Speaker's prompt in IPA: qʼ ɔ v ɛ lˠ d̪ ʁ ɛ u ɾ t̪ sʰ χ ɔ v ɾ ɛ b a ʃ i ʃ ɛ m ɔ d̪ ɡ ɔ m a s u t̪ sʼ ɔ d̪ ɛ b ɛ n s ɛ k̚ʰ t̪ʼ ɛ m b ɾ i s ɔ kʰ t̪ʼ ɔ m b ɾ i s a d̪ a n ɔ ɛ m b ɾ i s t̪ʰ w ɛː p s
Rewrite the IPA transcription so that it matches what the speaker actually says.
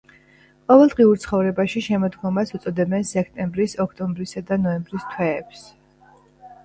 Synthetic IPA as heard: qʼ ɔ v ɛ lˠ d̪ ʁ i u ɾ t̪ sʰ χ ɔ v ɾ ɛ b a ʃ i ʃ ɛ m ɔ d̪ ɡ ɔ m a s u t̪ sʼ ɔ d̪ ɛ b ɛ n s ɛ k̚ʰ t̪ʼ ɛ m b ɾ i s ɔ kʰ t̪ʼ ɔ m b ɾ i s a d̪ a n ɔ ɛ m b ɾ i s t̪ʰ w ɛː p s